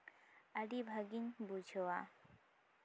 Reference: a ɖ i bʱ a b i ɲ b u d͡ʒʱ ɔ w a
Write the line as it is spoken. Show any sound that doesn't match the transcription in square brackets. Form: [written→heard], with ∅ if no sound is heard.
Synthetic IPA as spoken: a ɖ i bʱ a [b→ɡ] i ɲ b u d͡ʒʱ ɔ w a